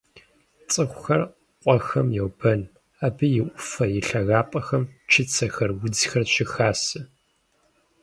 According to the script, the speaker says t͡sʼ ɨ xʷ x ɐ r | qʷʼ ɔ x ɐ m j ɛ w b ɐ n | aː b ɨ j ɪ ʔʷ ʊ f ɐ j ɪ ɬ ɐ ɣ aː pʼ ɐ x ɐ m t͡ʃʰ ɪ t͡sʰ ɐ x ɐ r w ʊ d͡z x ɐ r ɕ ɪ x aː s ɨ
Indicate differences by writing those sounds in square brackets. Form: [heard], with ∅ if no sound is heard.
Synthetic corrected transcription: t͡sʼ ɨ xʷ x ɐ r | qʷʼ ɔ x ɐ m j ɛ w b ɐ n | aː b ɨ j ɪ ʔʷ ʊ f ɐ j ɪ ɬ ɐ ɣ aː pʼ ɐ x ɐ m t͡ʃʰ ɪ t͡sʰ ɐ x ɐ r w ʊ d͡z x ɐ r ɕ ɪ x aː s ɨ